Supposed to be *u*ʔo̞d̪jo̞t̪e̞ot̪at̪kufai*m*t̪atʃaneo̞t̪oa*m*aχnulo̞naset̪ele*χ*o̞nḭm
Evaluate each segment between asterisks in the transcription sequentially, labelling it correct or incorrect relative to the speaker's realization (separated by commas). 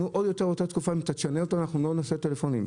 correct, correct, incorrect, incorrect